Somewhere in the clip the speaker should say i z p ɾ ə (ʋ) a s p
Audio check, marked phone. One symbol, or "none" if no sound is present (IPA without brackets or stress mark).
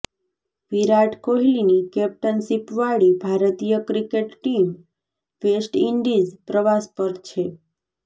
ʋ